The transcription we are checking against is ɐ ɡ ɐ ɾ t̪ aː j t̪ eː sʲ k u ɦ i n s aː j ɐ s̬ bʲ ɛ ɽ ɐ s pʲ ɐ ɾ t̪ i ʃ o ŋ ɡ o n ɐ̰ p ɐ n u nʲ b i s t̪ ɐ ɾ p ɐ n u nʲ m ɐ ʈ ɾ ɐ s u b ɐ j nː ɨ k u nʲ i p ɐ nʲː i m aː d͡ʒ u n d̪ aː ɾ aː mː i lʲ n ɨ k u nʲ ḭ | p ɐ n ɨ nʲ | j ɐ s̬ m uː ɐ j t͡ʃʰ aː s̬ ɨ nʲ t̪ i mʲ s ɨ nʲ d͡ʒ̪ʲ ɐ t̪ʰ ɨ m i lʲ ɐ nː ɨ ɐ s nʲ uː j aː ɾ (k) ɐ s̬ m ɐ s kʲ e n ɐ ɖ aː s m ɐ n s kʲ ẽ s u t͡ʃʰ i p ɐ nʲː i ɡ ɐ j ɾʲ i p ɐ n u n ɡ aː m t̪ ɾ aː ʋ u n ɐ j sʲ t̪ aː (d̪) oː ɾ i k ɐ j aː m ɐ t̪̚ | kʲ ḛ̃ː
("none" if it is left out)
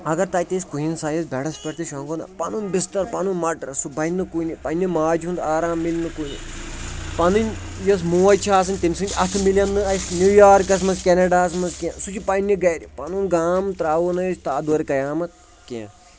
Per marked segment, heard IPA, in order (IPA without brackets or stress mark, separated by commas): k, d̪